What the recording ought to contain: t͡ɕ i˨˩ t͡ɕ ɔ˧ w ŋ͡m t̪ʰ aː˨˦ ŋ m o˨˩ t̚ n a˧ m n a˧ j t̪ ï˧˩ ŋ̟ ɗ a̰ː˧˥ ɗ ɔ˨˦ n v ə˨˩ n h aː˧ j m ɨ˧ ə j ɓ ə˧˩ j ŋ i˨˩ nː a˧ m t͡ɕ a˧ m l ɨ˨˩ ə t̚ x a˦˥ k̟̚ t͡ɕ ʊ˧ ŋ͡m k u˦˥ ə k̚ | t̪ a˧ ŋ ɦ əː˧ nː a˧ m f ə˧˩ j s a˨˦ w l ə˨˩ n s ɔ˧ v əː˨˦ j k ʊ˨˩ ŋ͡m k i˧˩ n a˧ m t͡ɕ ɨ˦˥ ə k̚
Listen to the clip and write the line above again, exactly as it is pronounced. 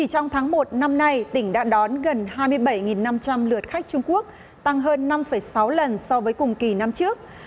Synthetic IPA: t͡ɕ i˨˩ t͡ɕ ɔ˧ w ŋ͡m t̪ʰ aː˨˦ ŋ m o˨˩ t̚ n a˧ m n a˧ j t̪ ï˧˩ ŋ̟ ɗ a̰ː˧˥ ɗ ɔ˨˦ n ɣ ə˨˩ n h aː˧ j m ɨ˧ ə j ɓ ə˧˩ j ŋ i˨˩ nː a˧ m t͡ɕ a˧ m l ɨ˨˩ ə t̚ x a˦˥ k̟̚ t͡ɕ ʊ˧ ŋ͡m k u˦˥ ə k̚ | t̪ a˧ ŋ ɦ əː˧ nː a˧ m f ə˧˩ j s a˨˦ w l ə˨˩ n s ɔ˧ v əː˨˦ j k ʊ˨˩ ŋ͡m k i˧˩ n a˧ m t͡ɕ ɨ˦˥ ə k̚